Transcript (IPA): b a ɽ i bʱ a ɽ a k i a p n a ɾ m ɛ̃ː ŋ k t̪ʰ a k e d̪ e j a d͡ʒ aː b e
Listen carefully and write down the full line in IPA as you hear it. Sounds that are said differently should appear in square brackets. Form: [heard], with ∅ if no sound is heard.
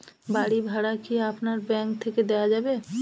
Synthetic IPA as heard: b a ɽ i bʱ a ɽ a k i a p n a ɾ [b] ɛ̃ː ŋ k t̪ʰ [e] k e d̪ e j a d͡ʒ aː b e